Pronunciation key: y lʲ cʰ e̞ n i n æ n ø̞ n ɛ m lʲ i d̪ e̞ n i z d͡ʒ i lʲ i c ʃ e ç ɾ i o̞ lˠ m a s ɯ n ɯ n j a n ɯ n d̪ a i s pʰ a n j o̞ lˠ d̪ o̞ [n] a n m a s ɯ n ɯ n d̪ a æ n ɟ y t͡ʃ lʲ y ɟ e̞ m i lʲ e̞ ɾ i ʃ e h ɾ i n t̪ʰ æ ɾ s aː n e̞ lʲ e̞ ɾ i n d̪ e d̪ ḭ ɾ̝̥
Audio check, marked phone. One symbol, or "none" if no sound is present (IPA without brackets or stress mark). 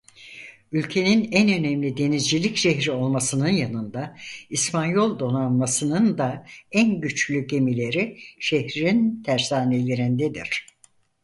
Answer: n